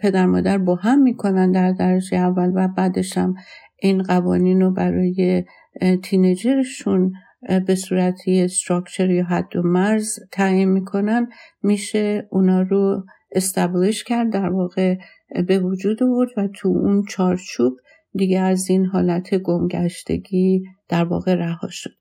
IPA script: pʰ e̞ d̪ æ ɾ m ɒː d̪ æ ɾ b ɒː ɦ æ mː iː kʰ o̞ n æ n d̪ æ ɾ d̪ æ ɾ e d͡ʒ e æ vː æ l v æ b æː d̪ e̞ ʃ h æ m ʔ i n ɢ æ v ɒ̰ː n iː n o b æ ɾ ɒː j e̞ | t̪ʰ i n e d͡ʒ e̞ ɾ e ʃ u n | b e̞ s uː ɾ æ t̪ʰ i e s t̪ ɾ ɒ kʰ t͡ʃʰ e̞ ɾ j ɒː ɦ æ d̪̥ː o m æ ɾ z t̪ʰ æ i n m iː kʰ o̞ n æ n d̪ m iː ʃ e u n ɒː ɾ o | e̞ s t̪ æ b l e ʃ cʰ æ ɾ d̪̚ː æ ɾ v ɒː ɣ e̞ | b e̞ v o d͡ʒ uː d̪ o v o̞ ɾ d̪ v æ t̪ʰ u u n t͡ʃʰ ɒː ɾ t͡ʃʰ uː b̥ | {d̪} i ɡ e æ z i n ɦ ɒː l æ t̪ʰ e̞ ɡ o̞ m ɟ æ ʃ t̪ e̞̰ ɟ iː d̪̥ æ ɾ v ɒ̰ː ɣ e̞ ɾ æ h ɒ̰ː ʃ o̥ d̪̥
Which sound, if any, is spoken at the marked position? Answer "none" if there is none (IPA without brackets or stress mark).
d̪